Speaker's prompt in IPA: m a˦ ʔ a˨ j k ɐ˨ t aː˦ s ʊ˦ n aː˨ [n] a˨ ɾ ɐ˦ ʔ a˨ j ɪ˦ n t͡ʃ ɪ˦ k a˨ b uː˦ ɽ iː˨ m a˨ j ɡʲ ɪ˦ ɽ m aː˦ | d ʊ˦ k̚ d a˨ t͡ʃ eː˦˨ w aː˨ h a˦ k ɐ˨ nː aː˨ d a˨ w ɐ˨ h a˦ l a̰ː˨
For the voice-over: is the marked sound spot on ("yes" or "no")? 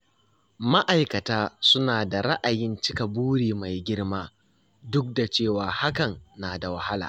no